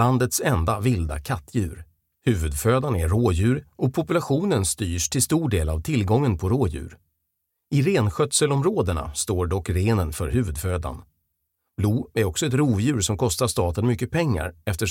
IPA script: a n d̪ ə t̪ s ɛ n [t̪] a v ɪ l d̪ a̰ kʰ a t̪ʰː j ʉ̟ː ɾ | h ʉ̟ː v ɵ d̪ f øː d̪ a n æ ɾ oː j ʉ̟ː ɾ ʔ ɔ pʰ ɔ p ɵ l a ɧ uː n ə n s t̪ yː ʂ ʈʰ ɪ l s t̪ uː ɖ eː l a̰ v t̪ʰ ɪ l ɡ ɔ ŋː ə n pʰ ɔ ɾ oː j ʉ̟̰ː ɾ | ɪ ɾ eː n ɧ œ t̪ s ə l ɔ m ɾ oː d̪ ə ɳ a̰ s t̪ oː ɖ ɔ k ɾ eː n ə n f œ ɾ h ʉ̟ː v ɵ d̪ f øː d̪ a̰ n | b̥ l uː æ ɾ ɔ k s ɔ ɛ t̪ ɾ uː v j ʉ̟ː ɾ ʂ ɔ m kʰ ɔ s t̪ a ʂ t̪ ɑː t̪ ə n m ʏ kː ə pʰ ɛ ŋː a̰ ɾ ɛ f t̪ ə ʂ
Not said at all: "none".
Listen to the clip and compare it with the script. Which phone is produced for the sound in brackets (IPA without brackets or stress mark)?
d̪